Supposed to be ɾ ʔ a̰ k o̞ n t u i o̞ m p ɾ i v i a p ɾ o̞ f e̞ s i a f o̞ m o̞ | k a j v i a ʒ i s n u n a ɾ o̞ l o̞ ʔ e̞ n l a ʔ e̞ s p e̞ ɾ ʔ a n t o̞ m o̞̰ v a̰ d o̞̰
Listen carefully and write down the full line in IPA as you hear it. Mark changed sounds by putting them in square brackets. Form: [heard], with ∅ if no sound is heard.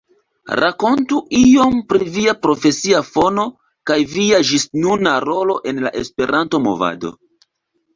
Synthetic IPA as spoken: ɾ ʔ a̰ k o̞ n t u i o̞ m p ɾ i v i a p ɾ o̞ f e̞ s i a f o̞ [n] o̞ | k a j v i a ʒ i s n u n a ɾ o̞ l o̞ ʔ e̞ n l a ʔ e̞ s p e̞ ɾ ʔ a n t o̞ m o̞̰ v a̰ d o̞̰